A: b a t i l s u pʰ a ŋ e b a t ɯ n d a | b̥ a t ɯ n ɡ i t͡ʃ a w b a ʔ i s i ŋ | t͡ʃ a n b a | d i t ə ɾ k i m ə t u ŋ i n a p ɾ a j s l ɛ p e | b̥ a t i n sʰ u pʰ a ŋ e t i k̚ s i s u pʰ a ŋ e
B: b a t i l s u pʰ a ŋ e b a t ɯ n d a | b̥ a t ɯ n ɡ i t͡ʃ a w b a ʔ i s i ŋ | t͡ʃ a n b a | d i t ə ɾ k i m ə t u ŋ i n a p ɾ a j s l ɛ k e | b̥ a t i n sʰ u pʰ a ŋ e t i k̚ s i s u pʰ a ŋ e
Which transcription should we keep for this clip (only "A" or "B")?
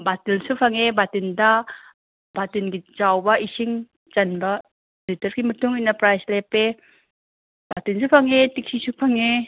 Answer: A